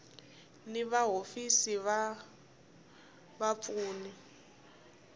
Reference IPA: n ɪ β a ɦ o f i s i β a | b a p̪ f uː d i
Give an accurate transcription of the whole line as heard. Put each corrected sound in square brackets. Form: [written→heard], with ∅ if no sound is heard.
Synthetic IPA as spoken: n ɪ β a ɦ o f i s i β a | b a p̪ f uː [d→n] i